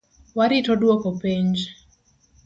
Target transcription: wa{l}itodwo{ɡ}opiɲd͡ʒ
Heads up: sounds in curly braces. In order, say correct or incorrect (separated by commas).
incorrect, incorrect